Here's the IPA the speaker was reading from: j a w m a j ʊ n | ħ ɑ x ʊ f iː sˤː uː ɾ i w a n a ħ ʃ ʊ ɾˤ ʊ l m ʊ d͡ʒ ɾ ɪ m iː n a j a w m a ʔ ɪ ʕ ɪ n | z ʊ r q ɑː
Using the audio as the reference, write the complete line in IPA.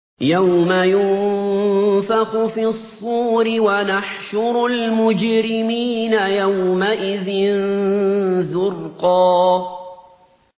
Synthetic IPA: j a w m a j ʊ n | f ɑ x ʊ f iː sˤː uː ɾ ɪ w a n a ħ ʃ ʊ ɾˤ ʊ l m ʊ d͡ʒ ɾ ɪ m iː n a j a w m a ʔ ɪ ð ɪ n | z ʊ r q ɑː